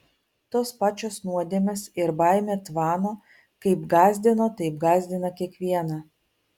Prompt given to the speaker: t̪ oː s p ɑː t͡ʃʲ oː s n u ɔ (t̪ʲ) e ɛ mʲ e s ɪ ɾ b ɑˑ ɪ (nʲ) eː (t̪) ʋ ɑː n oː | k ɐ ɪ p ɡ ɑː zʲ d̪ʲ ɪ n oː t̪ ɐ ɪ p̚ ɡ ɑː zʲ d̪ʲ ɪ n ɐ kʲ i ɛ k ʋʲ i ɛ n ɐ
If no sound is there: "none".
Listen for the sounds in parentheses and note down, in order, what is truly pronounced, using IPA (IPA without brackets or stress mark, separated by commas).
d̪ʲ, mʲ, t̪